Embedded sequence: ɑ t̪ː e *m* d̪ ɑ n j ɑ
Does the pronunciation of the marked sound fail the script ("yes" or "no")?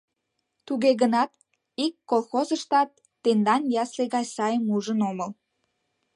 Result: yes